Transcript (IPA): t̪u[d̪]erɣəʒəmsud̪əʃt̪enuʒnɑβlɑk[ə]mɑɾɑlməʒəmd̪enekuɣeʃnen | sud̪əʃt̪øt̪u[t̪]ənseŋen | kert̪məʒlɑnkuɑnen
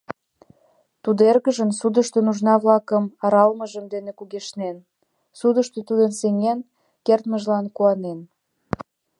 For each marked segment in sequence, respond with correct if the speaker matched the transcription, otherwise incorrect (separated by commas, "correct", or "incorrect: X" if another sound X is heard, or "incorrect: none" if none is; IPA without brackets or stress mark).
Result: correct, correct, incorrect: d̪